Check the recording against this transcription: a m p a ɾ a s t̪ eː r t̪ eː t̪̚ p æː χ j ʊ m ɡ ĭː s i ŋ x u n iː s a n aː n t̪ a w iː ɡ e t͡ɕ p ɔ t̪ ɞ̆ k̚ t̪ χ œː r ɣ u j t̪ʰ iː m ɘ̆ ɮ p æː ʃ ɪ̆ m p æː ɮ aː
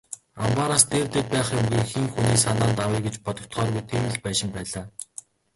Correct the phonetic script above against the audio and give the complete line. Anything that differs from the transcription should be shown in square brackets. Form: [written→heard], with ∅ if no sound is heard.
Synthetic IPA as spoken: a m p a ɾ a s t̪ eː r t̪ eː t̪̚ p æː χ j ʊ m ɡ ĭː [s→x] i ŋ x u n iː s a n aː n t̪ a w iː ɡ e t͡ɕ p ɔ t̪ ɞ̆ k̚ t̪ χ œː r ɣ u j t̪ʰ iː m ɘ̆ ɮ p æː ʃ ɪ̆ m p æː ɮ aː